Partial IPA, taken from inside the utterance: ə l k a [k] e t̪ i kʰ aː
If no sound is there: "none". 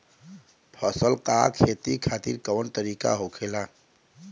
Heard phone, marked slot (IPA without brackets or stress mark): kʰ